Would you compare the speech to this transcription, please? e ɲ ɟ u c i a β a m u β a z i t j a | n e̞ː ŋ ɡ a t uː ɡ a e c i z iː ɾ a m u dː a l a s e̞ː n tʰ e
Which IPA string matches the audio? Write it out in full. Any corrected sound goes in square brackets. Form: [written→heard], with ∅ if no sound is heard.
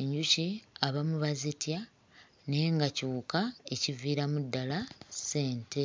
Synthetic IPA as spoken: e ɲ ɟ u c i a β a m u β a z i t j a | n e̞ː ŋ ɡ a [t→c] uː [ɡ→k] a e c i [z→v] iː ɾ a m u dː a l a s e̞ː n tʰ e